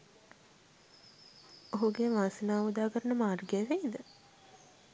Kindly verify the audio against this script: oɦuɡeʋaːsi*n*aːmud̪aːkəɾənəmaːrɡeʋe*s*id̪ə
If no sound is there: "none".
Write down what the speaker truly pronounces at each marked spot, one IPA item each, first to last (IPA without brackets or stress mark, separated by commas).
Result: n, none